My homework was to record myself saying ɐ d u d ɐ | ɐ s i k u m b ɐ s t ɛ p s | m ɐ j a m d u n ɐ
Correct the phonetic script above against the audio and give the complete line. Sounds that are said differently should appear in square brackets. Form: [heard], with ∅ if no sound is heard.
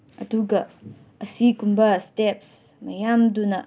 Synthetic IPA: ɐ d u [ɡ] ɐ | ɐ s i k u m b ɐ s t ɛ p s | m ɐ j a m d u n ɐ